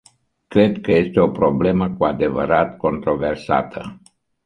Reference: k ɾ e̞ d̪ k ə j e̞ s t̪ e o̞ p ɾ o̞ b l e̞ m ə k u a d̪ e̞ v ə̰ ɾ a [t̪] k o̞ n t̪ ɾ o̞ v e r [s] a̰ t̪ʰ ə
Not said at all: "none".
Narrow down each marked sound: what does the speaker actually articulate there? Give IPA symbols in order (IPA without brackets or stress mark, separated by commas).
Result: t̪, s